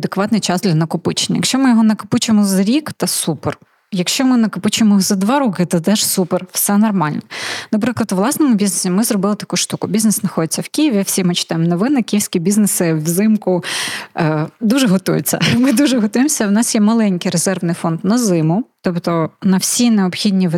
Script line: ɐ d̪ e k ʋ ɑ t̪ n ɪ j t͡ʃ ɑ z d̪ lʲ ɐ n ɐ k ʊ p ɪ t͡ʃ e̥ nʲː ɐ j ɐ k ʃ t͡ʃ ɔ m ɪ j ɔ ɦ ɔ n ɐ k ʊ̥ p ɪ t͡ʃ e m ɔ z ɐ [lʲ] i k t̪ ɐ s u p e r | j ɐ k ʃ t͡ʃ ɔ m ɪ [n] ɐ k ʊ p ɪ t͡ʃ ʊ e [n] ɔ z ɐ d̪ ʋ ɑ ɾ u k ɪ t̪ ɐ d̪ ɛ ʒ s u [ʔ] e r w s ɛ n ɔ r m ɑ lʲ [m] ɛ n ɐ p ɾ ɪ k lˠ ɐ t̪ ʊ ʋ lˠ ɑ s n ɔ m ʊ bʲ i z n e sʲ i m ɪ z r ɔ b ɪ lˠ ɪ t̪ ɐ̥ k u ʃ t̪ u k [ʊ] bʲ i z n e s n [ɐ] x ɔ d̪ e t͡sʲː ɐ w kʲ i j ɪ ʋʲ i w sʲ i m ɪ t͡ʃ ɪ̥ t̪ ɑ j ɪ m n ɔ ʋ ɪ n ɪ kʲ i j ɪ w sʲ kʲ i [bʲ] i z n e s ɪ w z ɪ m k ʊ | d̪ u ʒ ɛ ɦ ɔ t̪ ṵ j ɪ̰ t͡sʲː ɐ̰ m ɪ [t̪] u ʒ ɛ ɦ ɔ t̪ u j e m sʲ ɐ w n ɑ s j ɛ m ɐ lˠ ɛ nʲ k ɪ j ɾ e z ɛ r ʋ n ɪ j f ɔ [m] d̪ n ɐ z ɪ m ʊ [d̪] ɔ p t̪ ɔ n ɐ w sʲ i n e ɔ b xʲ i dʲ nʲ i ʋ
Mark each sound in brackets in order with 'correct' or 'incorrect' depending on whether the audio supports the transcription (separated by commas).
incorrect, correct, incorrect, incorrect, incorrect, correct, correct, correct, incorrect, incorrect, incorrect